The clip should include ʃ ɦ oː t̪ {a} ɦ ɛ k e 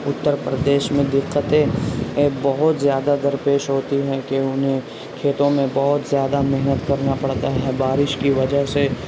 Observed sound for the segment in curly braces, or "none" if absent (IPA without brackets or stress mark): i